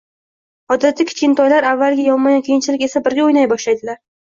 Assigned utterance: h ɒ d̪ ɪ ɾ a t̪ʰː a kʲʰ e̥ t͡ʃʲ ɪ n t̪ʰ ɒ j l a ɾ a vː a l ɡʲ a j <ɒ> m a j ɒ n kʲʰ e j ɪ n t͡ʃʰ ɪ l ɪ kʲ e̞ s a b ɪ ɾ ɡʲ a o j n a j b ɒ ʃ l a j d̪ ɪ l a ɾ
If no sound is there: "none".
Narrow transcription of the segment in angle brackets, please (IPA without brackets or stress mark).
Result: ɒ